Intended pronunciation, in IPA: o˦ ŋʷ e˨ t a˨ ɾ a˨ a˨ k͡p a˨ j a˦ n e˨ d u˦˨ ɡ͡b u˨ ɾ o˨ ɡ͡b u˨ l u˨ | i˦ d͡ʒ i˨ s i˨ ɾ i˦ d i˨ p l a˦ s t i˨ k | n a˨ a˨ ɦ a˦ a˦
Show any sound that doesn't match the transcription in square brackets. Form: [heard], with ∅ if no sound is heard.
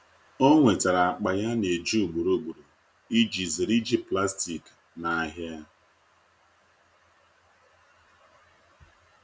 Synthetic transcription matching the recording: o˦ ŋʷ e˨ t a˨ ɾ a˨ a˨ k͡p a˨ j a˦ n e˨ [d͡ʒ] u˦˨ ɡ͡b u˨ ɾ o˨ ɡ͡b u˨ [ɾ] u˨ | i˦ d͡ʒ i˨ [z] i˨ ɾ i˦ [d͡ʒ] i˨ p l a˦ s t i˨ k | n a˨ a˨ ɦ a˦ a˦